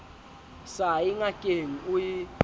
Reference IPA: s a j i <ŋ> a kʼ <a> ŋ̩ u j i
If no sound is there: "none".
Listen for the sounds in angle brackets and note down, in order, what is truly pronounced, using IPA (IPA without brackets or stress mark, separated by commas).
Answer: ŋ, e